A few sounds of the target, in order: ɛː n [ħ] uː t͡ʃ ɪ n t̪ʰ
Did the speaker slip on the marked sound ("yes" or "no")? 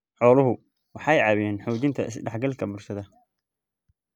no